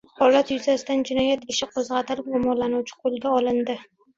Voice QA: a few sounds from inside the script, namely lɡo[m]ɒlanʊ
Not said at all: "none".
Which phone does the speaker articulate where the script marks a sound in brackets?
m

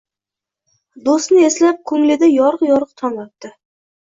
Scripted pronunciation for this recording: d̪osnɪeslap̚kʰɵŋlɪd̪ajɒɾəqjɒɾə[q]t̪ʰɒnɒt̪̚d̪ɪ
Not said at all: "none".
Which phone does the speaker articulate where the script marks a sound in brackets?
q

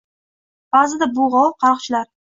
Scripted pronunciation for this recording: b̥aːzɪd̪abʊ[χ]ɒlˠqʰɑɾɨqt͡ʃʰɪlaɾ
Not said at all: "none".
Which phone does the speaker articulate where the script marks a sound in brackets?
ʁ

